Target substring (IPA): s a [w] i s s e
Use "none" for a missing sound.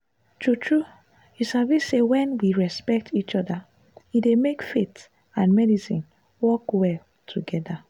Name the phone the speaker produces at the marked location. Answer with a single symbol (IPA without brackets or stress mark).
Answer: v